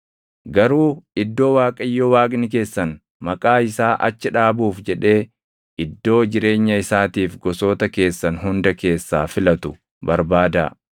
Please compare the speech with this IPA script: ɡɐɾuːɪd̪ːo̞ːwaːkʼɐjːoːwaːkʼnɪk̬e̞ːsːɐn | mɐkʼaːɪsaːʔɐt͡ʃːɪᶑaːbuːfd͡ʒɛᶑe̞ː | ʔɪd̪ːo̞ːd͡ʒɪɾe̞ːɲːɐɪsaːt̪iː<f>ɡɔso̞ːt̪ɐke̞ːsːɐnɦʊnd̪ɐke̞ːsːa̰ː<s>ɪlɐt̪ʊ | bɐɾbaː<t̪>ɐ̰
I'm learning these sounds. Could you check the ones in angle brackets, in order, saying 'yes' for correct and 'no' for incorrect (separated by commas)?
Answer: yes, no, no